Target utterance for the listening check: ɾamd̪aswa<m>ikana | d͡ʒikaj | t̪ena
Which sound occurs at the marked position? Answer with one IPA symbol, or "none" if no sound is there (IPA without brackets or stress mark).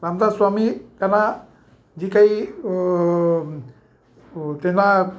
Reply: m